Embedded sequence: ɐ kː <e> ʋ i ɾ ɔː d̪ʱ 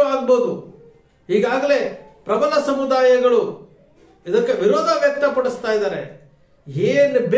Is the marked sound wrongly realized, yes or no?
no